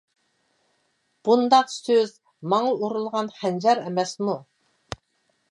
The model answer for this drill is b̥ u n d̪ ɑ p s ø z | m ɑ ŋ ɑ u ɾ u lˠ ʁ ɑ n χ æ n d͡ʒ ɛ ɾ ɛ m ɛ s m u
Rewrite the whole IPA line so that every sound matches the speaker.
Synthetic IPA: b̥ u n d̪ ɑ q s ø z | m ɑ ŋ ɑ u ɾ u lˠ ʁ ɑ n χ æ n d͡ʒ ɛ ɾ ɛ m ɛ s m u